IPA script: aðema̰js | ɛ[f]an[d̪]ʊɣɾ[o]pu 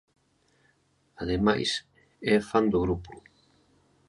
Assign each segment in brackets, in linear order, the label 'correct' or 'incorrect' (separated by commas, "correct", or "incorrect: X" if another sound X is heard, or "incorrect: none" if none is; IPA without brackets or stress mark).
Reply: correct, correct, incorrect: u